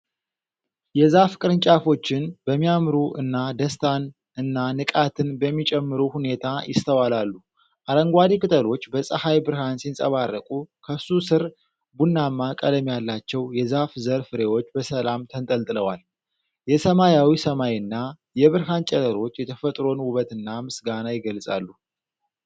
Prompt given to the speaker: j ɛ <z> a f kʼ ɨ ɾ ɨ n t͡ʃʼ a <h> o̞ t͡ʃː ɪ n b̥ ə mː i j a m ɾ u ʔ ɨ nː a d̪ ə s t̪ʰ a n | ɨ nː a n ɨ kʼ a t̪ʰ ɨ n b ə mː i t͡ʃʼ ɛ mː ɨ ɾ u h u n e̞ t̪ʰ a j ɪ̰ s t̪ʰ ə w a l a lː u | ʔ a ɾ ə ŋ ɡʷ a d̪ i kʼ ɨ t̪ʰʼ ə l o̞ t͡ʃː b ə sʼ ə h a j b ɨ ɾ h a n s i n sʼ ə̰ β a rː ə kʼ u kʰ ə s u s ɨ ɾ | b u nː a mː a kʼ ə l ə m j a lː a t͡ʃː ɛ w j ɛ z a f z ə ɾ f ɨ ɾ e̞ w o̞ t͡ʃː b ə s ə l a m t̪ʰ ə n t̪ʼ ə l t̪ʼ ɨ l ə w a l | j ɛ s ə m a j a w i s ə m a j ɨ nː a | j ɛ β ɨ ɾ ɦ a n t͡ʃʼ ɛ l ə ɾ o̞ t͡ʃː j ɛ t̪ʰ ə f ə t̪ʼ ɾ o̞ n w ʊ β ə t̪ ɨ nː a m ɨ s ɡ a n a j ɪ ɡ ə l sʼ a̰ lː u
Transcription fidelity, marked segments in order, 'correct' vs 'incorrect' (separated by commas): correct, incorrect